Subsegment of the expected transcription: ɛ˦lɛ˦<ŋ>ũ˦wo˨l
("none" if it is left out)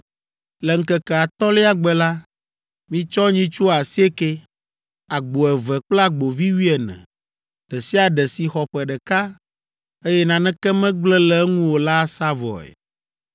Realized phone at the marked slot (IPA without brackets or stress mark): ŋ